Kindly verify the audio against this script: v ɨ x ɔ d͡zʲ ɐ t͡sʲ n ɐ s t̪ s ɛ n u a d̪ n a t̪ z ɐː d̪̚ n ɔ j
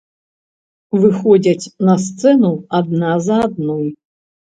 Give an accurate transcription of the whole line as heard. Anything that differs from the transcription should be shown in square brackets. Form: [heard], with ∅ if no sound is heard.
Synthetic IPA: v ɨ x ɔ d͡zʲ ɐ t͡sʲ n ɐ s t̪ s ɛ n u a d̪ n a [∅] z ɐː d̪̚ n ɔ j